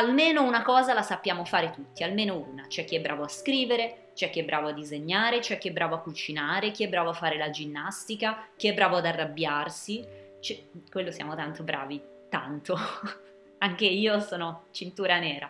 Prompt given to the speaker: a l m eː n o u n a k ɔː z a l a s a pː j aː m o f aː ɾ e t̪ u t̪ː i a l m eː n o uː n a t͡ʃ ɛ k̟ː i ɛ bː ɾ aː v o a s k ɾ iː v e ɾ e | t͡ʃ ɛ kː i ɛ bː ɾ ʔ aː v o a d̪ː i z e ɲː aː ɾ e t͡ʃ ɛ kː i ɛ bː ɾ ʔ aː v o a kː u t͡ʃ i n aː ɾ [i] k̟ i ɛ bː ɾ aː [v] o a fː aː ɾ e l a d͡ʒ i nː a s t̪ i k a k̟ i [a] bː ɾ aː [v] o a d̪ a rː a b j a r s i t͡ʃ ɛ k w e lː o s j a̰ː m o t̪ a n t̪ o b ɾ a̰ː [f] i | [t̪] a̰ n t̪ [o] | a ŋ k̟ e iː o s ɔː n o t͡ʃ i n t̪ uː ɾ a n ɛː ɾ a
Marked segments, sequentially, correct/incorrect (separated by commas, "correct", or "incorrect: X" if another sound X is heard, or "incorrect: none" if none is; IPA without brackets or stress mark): incorrect: e, correct, incorrect: ɛ, correct, incorrect: v, correct, correct